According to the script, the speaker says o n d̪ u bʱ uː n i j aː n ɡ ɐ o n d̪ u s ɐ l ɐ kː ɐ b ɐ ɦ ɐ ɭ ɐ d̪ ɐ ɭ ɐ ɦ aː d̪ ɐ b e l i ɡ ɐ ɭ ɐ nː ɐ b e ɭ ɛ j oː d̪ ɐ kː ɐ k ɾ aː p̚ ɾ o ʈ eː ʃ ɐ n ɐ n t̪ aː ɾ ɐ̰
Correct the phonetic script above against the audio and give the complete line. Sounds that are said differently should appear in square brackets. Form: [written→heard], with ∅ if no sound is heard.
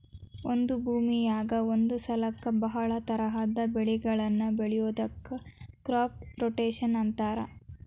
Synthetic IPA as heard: o n d̪ u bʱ uː [n→m] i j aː [n→∅] ɡ ɐ o n d̪ u s ɐ l ɐ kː ɐ b ɐ ɦ ɐ ɭ ɐ [d̪→t̪] ɐ [ɭ→ɾ] ɐ ɦ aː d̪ ɐ b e [l→ɭ] i ɡ ɐ ɭ ɐ nː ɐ b e ɭ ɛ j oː d̪ ɐ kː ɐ k ɾ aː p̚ ɾ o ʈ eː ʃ ɐ n ɐ n t̪ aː ɾ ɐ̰